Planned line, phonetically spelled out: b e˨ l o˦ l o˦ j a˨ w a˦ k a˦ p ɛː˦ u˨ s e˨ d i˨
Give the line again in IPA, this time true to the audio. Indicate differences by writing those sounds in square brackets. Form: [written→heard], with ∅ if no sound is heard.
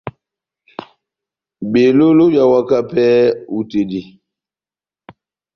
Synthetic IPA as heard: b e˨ l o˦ l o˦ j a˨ w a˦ k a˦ p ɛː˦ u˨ [s→t] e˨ d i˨